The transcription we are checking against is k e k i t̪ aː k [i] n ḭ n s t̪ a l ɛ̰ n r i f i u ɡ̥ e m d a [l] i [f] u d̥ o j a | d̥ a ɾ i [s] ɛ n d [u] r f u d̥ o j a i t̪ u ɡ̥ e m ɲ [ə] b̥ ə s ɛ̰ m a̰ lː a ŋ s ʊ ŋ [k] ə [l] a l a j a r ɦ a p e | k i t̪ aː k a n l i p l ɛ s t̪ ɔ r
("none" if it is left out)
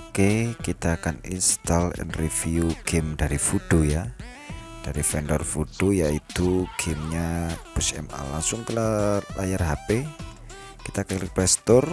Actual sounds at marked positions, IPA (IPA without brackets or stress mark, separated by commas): a, ɾ, f, f, ɔ, a, k, l